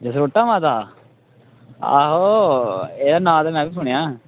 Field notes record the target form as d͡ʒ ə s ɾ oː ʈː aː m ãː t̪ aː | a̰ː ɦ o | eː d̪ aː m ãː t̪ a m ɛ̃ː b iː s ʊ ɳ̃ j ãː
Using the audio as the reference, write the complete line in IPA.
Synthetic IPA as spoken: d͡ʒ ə s ɾ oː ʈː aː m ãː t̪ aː | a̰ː ɦ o | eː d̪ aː n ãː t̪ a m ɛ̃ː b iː s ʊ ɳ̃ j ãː